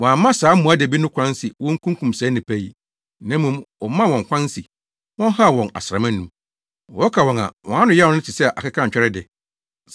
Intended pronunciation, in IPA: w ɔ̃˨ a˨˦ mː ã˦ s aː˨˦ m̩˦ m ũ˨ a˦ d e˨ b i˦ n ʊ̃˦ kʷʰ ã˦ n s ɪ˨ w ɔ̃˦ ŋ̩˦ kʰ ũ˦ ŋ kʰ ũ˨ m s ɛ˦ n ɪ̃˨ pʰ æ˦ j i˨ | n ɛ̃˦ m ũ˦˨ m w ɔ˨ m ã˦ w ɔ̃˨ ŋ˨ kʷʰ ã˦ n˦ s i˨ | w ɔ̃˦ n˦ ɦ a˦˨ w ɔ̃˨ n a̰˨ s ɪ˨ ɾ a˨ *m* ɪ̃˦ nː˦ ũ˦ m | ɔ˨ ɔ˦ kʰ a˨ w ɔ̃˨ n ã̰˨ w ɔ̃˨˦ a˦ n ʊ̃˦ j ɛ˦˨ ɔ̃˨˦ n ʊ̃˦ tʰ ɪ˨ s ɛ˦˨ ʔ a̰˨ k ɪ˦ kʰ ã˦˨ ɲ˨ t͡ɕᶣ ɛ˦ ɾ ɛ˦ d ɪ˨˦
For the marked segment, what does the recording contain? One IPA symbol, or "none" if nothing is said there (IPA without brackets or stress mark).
m